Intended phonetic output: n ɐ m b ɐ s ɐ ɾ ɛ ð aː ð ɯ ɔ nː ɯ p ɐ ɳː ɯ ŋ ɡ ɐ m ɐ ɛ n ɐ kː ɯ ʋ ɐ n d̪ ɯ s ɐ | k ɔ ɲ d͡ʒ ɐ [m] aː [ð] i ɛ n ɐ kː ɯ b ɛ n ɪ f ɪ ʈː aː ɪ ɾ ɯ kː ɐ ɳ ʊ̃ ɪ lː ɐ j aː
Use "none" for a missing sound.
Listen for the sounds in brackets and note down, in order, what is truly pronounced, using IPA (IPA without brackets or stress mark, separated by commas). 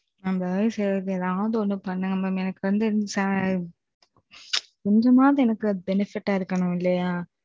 m, ð